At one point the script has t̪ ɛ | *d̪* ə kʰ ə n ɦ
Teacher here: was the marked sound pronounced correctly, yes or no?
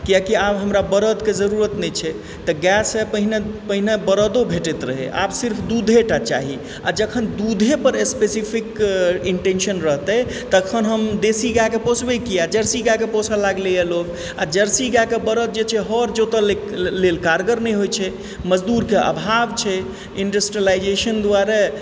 no